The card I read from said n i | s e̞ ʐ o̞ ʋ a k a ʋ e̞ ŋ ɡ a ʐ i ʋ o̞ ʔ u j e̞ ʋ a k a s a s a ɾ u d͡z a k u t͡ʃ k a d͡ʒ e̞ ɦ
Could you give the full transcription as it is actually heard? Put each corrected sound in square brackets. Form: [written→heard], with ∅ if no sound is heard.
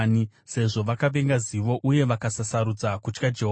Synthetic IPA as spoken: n i | s e̞ ʐ o̞ ʋ a k a ʋ e̞ ŋ ɡ a [ʐ→z] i ʋ o̞ ʔ u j e̞ ʋ a k a s a s a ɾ u d͡z a k u t͡ʃ k a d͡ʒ e̞ ɦ